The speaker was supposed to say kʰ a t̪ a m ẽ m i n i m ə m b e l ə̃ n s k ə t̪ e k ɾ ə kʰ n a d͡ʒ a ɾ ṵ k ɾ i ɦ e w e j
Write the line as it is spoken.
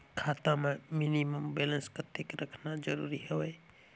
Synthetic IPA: kʰ a t̪ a m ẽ m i n i m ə m b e l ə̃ n s k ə t̪ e k ɾ ə kʰ n a d͡ʒ ə ɾ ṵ ɾ i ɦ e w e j